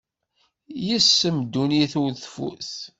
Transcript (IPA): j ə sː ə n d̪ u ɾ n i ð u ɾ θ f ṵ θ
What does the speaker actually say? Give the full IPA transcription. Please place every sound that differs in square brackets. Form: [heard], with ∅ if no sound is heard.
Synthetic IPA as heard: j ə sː ə [m] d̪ u [∅] n i [θ] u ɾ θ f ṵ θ